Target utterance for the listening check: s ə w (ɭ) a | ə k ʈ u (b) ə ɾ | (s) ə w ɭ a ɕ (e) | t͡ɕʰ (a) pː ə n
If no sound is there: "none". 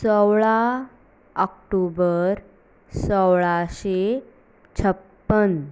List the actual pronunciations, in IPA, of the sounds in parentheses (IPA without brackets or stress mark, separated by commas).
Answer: ɭ, b, s, e, ə